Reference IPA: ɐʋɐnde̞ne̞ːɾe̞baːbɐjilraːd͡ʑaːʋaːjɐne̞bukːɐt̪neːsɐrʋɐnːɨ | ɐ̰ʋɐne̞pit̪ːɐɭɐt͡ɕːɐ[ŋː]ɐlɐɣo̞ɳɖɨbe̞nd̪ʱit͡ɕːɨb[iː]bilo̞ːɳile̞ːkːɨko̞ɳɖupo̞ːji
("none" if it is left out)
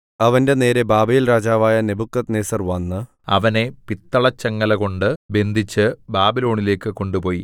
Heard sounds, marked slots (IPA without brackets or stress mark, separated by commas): ŋː, aː